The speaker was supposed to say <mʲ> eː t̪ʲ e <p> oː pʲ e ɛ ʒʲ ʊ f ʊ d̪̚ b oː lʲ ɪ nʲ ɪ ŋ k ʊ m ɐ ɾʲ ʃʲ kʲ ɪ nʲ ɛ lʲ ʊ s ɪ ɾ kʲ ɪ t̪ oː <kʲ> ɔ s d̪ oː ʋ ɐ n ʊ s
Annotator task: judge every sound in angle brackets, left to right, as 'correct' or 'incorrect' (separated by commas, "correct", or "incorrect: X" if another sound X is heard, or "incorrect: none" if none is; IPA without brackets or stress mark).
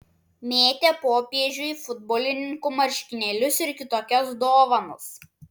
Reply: correct, correct, correct